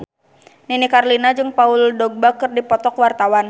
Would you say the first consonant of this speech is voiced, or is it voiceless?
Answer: voiced